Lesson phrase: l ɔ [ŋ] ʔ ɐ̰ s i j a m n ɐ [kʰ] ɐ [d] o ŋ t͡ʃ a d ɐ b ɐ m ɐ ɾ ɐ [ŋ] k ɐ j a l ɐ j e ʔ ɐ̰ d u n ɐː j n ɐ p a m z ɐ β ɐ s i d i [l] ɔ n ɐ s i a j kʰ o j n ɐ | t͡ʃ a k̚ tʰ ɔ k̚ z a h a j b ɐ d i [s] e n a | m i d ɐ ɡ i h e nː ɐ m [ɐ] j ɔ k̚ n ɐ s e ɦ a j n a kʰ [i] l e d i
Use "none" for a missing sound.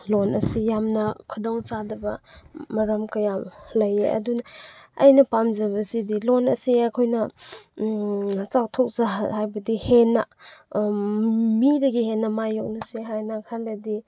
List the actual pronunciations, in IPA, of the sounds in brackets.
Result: n, kʰ, d, m, l, h, a, a

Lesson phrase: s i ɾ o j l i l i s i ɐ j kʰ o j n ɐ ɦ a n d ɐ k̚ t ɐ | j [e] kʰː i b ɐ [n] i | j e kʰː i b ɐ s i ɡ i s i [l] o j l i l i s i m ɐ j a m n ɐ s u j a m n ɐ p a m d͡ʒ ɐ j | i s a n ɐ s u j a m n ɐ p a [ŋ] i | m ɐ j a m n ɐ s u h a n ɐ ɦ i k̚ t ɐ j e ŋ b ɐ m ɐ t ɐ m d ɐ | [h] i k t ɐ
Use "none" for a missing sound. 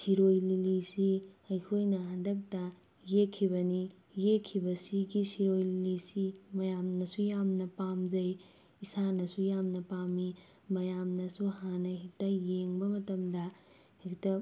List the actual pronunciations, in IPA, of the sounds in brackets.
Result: e, n, ɾ, m, h

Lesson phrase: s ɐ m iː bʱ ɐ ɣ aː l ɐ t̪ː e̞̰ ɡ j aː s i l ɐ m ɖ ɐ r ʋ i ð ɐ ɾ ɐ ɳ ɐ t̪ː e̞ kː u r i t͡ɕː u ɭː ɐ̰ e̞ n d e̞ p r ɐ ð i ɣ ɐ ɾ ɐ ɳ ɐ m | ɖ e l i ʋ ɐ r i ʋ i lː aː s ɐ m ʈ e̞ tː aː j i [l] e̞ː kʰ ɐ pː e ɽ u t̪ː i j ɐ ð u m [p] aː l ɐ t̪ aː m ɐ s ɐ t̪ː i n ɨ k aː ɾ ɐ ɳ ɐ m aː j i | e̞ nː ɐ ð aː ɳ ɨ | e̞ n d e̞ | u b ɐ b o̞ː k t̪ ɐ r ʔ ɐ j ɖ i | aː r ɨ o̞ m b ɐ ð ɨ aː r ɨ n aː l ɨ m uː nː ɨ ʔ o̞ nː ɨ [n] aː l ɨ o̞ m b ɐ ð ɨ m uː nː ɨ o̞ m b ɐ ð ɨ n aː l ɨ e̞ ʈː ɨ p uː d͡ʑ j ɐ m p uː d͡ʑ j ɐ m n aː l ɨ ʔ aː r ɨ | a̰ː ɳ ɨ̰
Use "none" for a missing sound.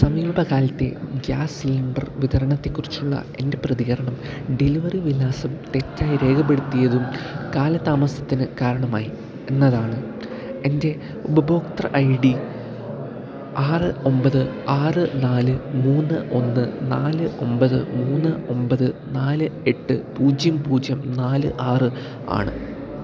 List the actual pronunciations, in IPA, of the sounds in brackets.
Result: ɾ, k, n

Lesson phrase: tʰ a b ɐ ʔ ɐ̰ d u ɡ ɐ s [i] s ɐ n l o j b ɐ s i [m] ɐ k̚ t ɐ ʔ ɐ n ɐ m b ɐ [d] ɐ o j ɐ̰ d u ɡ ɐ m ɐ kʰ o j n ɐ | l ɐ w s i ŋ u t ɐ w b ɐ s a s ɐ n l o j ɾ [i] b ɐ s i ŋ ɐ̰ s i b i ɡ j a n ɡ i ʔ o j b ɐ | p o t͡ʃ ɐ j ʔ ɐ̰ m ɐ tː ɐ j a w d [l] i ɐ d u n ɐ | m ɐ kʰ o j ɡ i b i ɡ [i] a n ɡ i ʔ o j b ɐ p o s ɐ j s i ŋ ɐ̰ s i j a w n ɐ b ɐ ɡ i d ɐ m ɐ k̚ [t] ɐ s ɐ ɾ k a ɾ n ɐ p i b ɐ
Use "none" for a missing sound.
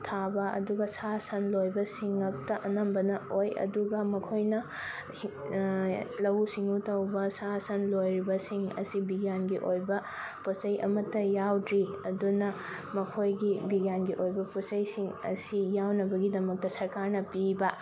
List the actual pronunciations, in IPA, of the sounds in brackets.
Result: a, ŋ, n, i, ɾ, j, t

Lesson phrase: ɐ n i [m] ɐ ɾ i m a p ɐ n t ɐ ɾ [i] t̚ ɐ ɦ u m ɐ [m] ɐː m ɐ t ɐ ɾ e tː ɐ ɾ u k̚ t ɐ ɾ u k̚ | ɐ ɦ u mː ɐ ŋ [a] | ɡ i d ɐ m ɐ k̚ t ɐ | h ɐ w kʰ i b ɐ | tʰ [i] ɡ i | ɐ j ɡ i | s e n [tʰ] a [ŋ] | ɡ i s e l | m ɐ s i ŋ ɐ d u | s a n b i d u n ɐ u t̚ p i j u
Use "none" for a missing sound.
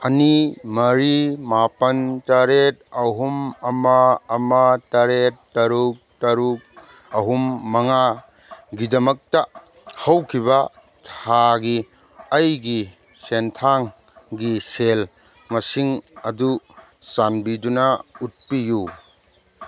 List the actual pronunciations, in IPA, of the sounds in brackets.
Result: m, e, m, a, a, tʰ, ŋ

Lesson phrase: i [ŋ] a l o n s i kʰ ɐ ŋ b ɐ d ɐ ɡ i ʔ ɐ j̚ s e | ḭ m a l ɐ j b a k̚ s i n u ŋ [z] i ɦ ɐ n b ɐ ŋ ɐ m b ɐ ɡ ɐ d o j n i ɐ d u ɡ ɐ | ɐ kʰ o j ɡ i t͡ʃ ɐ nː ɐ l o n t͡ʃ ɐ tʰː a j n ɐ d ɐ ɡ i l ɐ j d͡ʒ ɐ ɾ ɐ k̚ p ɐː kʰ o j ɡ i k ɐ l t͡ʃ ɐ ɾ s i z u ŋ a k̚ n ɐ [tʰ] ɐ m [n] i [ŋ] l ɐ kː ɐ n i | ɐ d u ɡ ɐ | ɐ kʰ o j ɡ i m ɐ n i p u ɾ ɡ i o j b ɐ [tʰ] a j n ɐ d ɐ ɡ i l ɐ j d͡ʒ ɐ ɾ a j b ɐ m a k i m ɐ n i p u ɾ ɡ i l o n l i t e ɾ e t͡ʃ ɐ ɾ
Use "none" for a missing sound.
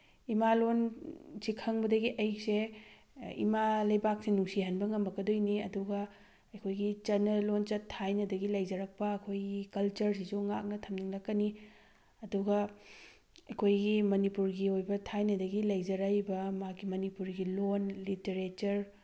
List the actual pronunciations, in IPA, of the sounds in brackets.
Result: m, s, tʰ, n, ŋ, tʰ

